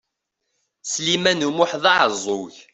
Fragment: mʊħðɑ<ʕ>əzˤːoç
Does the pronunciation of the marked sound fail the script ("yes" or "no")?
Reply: no